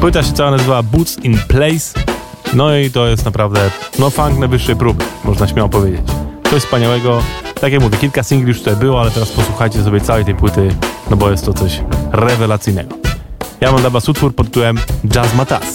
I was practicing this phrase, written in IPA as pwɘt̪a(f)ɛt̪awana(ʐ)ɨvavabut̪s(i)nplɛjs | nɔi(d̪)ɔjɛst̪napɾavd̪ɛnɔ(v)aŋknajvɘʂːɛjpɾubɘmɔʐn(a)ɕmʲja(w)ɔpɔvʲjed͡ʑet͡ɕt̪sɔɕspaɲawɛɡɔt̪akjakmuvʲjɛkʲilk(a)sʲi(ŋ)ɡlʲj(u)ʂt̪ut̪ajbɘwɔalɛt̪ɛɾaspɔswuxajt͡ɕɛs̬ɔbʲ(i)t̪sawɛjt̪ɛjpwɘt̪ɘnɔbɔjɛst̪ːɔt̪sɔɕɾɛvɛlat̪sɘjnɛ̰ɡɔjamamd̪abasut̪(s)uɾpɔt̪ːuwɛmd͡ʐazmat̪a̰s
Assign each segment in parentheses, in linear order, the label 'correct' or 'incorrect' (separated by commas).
incorrect, incorrect, correct, incorrect, incorrect, correct, correct, correct, correct, correct, incorrect, incorrect